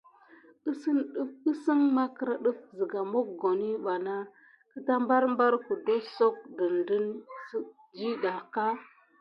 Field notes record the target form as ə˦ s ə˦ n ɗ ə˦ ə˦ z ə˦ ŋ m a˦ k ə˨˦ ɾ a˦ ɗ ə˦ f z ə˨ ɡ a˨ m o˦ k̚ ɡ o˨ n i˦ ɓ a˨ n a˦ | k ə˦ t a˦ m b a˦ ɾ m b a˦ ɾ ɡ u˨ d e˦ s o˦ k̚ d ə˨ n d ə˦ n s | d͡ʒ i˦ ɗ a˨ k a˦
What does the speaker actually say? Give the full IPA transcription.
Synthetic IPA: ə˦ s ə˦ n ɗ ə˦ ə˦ s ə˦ ŋ m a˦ k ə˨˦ ɾ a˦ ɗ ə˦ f z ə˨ ɡ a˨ m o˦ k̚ ɡ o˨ n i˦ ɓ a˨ n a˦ | k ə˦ t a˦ m b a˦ ɾ m b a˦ ɾ k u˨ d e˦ s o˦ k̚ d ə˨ n d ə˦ n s | d͡ʒ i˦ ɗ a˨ k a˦